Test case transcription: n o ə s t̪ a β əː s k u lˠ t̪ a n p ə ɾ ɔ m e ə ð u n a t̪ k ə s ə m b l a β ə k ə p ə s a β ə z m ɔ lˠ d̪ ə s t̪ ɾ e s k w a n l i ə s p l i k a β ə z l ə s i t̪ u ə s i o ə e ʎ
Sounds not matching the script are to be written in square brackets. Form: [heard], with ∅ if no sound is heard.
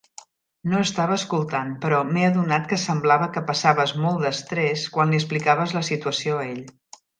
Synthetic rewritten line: n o ə s t̪ a β əː s k u lˠ t̪ a n p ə ɾ ɔ m e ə ð u n a t̪ k ə s ə m b l a β ə k ə p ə s a β ə z m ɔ lˠ d̪ ə s t̪ ɾ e s k w a n l i ə s p l i k a β ə z l ə s i t̪ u ə s i o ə e ʎ